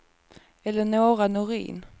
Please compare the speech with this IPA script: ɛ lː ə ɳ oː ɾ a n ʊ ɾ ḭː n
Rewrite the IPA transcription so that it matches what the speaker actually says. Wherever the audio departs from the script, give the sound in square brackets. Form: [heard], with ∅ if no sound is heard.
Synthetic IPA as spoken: ɛ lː ə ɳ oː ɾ a n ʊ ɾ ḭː n